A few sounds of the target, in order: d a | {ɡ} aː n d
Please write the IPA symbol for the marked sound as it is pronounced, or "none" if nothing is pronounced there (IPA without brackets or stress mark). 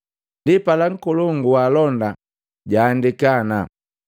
ɟ